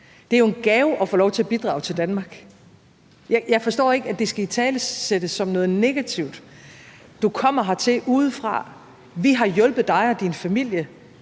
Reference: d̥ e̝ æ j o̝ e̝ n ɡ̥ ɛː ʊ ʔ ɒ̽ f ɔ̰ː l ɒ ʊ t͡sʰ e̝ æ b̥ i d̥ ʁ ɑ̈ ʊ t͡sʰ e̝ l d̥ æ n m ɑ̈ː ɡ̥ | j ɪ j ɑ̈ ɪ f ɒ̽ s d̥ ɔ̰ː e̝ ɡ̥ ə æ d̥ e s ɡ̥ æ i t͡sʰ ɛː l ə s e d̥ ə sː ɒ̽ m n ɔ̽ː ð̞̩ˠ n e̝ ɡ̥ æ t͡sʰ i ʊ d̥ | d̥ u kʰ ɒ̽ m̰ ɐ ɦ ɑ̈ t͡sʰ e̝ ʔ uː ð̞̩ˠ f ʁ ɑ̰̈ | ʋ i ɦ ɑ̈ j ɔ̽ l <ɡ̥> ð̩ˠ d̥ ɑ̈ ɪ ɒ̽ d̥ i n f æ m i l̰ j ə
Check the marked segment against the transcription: incorrect: b̥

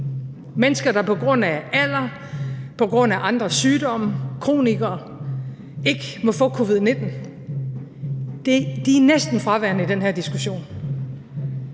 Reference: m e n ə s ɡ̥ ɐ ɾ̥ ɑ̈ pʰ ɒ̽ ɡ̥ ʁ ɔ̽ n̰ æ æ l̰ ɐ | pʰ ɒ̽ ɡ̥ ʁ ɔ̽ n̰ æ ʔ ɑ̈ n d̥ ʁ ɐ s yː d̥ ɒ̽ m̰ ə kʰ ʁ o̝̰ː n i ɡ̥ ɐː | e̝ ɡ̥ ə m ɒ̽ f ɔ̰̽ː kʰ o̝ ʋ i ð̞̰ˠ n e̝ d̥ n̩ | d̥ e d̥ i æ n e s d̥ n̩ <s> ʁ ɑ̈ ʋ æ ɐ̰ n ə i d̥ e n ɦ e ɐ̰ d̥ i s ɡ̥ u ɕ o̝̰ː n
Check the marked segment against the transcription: incorrect: f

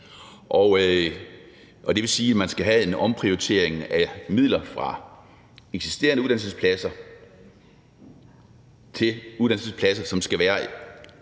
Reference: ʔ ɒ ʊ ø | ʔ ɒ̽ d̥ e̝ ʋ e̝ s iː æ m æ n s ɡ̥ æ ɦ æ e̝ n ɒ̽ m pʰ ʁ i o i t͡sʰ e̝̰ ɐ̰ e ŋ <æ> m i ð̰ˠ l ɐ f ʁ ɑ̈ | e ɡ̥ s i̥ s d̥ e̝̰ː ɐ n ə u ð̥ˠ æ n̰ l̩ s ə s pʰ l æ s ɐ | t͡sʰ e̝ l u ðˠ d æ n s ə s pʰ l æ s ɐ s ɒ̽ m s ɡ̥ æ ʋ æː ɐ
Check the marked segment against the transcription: correct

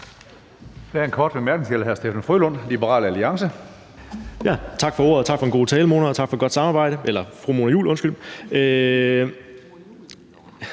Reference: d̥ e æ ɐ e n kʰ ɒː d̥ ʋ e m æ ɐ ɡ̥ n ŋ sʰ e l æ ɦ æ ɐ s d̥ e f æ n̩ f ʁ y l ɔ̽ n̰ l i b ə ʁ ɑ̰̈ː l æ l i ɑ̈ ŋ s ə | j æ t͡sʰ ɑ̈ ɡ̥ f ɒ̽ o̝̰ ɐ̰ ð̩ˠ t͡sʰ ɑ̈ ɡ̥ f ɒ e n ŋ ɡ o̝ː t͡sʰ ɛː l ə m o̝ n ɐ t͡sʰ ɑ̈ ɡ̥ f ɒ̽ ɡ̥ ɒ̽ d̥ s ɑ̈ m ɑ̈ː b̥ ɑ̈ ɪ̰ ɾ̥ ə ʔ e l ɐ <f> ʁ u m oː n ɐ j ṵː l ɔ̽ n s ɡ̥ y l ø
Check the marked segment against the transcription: correct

